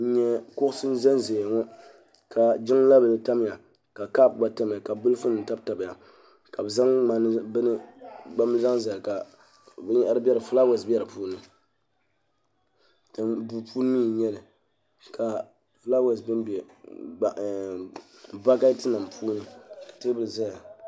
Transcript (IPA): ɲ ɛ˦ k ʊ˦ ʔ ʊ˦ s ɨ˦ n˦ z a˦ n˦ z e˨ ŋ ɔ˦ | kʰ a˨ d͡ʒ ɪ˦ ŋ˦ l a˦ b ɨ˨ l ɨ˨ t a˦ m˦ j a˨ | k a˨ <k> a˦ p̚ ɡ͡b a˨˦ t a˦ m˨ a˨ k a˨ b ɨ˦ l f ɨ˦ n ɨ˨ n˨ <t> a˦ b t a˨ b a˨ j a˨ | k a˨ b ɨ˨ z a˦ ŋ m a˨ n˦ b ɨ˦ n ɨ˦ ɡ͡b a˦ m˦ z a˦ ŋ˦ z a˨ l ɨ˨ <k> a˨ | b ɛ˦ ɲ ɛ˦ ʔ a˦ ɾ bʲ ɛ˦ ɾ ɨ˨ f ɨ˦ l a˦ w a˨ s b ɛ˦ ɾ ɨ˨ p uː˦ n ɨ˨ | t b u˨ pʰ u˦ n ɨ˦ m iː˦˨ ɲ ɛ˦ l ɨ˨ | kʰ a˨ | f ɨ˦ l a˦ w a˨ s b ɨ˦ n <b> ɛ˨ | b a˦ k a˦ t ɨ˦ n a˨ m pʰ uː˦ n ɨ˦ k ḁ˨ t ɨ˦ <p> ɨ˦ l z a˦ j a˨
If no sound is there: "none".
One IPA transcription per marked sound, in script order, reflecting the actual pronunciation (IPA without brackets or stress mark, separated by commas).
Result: k, t, k, b, b